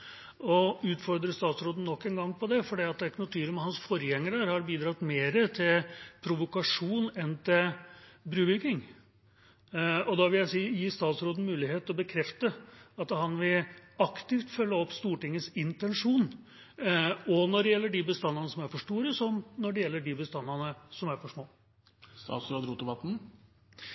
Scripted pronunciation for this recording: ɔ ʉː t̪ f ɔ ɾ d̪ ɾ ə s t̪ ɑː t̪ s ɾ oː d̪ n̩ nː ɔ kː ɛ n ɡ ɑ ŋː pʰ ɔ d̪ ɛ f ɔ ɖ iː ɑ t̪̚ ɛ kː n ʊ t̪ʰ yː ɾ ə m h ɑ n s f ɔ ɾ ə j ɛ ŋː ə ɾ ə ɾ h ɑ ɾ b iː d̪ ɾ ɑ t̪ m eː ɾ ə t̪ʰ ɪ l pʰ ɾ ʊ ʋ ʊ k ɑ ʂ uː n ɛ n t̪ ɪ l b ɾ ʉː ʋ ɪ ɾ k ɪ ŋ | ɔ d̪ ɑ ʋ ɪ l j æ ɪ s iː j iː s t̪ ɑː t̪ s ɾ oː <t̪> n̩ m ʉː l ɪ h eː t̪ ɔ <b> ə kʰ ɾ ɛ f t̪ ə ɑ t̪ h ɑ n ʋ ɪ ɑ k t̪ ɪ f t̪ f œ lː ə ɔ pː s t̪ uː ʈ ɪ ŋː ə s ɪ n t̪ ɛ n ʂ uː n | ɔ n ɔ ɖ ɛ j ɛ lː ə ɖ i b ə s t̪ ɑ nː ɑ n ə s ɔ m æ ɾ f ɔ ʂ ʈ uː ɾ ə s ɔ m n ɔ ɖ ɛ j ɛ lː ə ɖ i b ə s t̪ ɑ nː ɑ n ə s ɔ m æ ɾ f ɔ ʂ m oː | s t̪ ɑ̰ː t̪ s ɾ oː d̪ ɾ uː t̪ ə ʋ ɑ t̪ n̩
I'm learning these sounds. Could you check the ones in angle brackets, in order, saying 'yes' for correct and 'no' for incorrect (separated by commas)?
no, yes